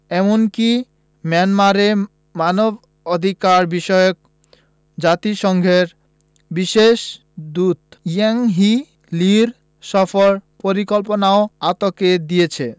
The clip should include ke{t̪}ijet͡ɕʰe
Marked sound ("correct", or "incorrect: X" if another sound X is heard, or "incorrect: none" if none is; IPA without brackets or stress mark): incorrect: d̪